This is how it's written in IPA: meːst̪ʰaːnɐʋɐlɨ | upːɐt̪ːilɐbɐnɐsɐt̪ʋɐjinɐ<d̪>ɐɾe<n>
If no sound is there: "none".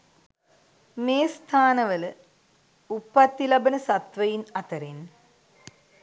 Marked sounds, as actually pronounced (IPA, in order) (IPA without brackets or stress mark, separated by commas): t̪, n